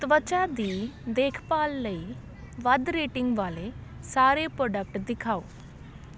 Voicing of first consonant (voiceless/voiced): voiceless